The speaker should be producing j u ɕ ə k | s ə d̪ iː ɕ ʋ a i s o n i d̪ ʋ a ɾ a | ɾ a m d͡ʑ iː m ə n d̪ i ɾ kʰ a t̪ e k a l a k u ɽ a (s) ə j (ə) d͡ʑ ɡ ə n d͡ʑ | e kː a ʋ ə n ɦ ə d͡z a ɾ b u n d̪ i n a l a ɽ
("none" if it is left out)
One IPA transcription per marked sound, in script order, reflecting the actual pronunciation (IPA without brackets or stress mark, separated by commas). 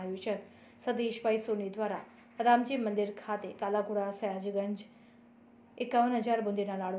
s, a